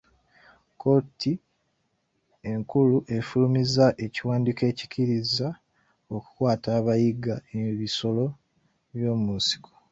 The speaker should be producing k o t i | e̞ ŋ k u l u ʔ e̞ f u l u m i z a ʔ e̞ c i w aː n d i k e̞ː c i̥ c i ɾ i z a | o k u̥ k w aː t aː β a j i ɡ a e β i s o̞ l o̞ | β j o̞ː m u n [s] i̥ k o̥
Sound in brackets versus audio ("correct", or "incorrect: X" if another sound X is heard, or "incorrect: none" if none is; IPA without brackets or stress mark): correct